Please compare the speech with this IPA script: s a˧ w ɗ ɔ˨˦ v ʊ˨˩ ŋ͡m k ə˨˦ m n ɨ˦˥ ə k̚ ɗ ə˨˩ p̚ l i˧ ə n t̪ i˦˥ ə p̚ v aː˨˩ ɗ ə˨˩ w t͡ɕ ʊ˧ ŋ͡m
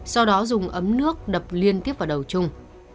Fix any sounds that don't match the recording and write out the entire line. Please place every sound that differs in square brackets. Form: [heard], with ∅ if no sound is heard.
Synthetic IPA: s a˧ w ɗ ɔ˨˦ [z] ʊ˨˩ ŋ͡m [ʔ] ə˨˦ m n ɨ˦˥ ə k̚ ɗ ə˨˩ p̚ l i˧ ə n t̪ i˦˥ ə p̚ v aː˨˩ ɗ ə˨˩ w t͡ɕ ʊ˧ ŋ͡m